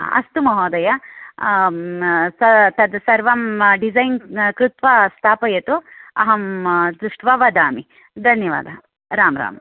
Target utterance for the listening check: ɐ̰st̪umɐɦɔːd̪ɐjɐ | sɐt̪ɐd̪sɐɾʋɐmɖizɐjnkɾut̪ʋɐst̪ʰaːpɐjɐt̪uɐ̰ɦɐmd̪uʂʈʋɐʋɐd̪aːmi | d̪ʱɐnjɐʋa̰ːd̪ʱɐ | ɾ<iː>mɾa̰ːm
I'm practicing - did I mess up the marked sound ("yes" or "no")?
yes